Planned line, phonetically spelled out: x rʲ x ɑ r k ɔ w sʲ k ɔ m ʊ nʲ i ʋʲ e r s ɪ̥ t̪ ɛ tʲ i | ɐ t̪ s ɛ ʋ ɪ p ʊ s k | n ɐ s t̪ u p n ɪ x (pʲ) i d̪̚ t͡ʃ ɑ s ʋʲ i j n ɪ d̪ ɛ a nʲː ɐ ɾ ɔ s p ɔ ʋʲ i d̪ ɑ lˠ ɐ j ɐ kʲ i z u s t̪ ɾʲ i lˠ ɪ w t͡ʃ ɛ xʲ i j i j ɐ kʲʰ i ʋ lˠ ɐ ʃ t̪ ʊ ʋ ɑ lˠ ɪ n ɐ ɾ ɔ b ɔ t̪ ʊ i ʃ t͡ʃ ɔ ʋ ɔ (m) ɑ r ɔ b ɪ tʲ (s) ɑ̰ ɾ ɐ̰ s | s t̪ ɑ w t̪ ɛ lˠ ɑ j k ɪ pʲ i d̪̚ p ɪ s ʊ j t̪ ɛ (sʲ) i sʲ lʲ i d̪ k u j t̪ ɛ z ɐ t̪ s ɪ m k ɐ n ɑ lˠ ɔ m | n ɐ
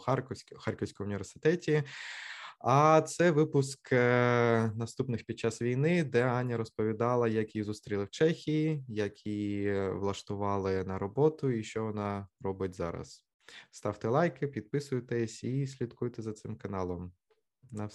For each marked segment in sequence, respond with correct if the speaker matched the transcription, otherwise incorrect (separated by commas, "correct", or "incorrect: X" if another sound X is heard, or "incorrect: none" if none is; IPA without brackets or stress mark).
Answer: correct, incorrect: n, incorrect: z, correct